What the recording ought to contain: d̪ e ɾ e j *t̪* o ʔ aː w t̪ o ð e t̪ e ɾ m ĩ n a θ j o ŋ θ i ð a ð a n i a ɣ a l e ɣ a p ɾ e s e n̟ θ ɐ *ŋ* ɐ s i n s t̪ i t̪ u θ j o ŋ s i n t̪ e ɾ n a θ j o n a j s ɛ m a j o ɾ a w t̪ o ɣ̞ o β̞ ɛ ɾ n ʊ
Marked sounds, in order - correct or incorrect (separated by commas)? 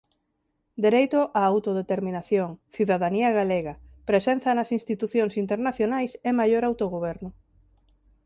correct, incorrect